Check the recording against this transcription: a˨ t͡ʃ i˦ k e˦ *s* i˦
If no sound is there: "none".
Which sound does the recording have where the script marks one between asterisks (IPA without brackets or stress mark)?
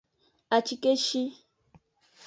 ʃ